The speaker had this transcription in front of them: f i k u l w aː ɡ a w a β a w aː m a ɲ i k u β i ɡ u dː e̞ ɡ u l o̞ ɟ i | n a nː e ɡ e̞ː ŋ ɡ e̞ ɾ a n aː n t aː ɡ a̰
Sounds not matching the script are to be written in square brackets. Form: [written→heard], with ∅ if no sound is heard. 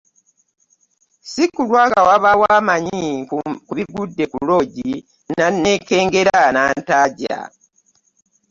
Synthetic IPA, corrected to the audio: [f→s] i k u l w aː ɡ a w a β a w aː m a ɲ i k u β i ɡ u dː e̞ [ɡ→k] u l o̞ ɟ i | n a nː e [ɡ→k] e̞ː ŋ ɡ e̞ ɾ a n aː n t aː [ɡ→ɟ] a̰